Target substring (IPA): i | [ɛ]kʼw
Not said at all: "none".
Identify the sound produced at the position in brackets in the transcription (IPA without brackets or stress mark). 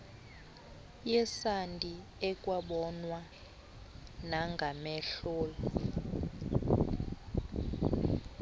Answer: ɛ